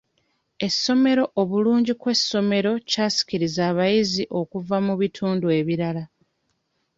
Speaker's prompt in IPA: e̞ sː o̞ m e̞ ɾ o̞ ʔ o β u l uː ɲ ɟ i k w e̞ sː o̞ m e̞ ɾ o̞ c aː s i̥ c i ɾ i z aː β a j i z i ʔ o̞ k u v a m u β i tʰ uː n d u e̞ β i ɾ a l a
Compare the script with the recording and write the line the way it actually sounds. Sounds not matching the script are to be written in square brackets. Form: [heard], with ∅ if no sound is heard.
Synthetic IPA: e̞ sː o̞ m e̞ ɾ o̞ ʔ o β u l uː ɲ ɟ i k w e̞ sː o̞ m e̞ ɾ o̞ c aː s i̥ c i ɾ i z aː β a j i z i ʔ o̞ k u v a m u β i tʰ uː n d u e̞ β i ɾ a l a